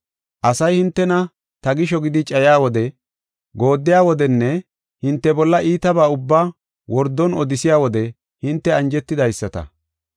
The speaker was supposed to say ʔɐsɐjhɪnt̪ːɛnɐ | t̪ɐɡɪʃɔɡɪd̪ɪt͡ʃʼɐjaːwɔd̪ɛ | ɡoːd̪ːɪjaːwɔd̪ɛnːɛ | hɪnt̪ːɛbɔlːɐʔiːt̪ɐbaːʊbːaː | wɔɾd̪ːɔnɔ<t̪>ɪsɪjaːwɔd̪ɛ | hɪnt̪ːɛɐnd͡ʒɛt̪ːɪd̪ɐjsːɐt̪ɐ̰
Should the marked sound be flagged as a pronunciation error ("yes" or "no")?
yes